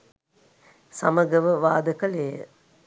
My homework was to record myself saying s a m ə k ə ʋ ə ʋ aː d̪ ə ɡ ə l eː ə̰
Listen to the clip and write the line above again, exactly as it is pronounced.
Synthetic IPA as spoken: s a m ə ɡ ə ʋ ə ʋ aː d̪ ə k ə l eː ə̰

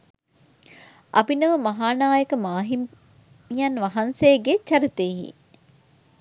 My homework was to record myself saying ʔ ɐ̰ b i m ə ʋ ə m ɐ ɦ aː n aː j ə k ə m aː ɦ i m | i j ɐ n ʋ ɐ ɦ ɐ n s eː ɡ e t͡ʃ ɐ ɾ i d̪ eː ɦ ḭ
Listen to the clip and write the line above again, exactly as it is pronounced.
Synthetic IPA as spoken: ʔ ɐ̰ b i n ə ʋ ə m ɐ ɦ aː n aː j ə k ə m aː ɦ i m | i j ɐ n ʋ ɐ ɦ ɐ n s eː ɡ e t͡ʃ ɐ ɾ i t̪ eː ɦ ḭ

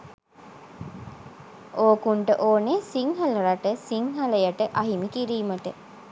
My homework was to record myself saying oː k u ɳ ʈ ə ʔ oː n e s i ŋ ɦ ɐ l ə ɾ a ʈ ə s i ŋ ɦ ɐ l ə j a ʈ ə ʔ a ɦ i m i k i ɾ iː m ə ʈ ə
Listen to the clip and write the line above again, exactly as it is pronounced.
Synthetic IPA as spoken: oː k u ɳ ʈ ə ʔ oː n e s i ŋ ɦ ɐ l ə ɾ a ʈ ə s i ŋ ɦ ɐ l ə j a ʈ ə ʔ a ɦ i m i k i ɾ iː m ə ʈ ə

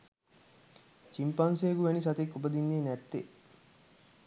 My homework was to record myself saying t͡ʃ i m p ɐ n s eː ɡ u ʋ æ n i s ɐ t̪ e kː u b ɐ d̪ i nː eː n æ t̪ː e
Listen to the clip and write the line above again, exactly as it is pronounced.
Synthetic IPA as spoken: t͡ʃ i m p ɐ n s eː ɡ u ʋ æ n i s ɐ t̪ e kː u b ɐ d̪ i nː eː n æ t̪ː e

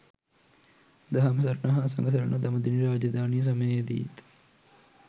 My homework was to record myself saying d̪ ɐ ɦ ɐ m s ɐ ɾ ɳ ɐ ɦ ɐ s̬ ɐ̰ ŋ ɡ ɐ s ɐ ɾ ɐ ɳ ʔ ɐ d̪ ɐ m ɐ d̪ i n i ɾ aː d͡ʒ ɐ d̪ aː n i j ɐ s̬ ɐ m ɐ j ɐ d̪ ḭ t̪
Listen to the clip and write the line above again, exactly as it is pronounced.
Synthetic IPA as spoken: d̪ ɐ ɦ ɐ m s ɐ ɾ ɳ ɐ ɦ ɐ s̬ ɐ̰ ŋ ɡ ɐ s ɐ ɾ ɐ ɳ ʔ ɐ d̪ ɐ m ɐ d̪ i n i ɾ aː d͡ʒ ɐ d̪ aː n i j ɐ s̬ ɐ m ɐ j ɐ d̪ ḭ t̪

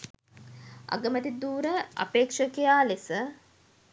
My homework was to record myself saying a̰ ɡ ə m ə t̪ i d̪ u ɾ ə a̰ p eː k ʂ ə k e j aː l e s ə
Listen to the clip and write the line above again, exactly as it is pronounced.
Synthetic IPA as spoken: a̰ ɡ ə m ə t̪ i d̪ uː ɾ ə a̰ p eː k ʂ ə k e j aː l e s ə

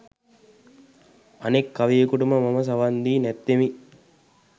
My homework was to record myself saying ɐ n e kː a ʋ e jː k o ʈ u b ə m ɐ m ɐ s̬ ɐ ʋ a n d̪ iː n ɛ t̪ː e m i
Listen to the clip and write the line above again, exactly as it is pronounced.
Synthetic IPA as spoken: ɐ n e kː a ʋ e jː k u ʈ u m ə m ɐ m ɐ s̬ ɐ ʋ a n d̪ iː n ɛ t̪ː e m i

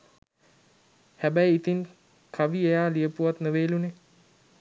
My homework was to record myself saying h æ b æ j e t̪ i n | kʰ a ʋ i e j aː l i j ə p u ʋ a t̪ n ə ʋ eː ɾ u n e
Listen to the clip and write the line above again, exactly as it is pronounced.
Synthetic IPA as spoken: h æ b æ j i t̪ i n | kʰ a ʋ i e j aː l i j ə p u ʋ a t̪ n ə ʋ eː l u n e

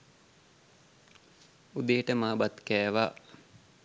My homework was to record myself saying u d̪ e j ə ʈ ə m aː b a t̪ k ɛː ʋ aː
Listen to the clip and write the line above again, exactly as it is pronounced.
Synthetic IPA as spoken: u d̪ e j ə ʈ ə m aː b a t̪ k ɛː ʋ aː

